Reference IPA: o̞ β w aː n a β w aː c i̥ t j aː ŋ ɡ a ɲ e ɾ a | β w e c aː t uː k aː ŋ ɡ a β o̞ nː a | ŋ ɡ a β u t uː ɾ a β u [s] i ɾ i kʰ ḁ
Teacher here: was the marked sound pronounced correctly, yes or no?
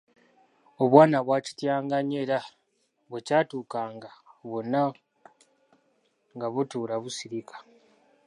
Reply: yes